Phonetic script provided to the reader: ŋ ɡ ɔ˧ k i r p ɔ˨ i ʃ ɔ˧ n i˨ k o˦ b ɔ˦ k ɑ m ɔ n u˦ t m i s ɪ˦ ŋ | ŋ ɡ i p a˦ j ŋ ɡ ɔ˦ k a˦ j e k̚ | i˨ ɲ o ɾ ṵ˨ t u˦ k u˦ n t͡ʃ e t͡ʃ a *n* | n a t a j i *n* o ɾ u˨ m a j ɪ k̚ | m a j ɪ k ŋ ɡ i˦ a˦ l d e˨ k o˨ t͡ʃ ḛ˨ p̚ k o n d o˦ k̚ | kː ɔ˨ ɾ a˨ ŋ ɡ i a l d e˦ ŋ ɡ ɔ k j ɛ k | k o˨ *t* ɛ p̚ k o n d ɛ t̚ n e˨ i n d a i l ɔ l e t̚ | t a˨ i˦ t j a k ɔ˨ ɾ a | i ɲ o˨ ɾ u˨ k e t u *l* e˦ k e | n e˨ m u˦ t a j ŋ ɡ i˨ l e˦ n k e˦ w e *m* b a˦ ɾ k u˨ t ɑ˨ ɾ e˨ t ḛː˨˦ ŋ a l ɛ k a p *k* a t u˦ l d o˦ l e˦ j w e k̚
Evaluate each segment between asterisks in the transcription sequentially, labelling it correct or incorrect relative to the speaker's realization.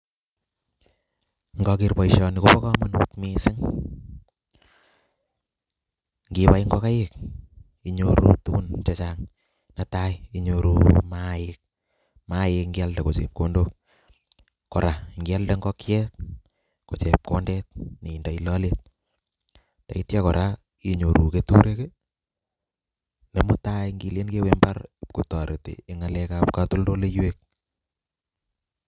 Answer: incorrect: ŋ, incorrect: ɲ, incorrect: t͡ʃ, incorrect: ɾ, correct, correct

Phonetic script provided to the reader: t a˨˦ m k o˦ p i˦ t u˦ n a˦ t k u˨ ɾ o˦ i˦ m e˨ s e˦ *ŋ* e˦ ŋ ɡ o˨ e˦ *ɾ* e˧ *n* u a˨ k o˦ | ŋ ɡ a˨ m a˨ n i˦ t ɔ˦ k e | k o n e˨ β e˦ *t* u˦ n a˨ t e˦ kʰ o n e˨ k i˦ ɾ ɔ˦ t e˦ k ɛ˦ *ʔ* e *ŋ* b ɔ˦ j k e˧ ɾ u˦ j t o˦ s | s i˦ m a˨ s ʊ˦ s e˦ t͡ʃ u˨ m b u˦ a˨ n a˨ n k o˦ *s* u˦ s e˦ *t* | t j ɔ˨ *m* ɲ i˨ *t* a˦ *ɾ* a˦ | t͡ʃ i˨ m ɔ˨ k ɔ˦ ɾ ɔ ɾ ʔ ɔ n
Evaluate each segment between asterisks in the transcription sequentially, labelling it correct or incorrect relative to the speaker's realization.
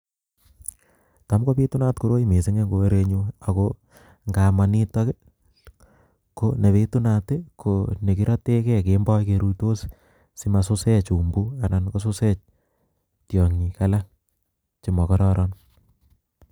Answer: correct, correct, incorrect: ɲ, correct, incorrect: k, incorrect: m, correct, incorrect: t͡ʃ, incorrect: ŋ, incorrect: k, incorrect: l

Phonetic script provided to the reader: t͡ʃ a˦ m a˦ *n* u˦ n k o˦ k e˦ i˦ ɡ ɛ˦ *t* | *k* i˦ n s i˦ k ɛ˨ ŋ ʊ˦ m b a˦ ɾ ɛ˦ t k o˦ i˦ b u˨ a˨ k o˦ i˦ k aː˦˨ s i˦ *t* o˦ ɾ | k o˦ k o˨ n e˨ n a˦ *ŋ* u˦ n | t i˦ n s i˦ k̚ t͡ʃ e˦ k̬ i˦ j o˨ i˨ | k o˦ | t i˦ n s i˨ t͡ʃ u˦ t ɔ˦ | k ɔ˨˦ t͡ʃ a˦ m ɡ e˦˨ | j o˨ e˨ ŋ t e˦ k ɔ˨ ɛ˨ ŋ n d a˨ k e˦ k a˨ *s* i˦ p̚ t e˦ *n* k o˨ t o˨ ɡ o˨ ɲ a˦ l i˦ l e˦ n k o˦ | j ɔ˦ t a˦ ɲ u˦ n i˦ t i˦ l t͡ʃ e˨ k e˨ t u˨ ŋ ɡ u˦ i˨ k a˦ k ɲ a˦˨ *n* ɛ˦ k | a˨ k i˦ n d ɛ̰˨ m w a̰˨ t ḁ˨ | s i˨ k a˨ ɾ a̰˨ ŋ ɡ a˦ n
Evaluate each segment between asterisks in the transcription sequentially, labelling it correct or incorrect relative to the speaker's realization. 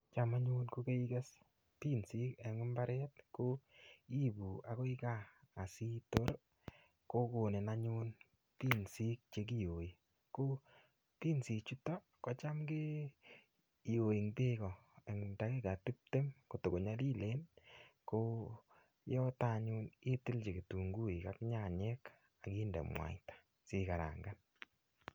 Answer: incorrect: ɲ, incorrect: s, incorrect: t, correct, incorrect: ɲ, incorrect: t, incorrect: m, incorrect: ɲ

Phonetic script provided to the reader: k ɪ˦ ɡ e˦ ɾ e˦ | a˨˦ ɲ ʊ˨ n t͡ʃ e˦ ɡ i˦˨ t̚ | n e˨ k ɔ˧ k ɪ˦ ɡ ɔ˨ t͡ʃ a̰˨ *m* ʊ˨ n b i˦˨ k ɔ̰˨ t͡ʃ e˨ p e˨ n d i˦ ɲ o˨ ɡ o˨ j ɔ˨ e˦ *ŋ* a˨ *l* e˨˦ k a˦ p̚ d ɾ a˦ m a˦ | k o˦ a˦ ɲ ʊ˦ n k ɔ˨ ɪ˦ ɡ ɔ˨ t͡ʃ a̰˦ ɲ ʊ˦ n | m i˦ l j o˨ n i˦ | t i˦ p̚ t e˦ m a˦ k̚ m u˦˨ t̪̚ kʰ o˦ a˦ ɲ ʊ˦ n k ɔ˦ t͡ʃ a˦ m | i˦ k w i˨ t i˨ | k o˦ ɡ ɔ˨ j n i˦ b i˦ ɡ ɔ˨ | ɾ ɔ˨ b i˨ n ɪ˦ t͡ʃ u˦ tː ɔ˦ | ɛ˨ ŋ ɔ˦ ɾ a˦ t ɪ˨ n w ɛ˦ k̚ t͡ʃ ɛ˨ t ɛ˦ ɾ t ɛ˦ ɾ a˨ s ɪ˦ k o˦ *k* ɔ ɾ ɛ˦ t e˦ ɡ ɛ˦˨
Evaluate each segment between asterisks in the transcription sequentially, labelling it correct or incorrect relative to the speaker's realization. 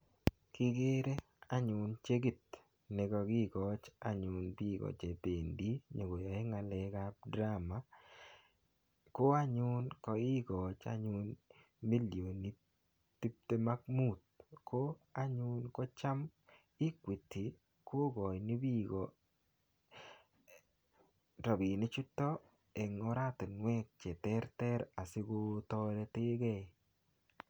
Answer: incorrect: ɲ, correct, correct, incorrect: t

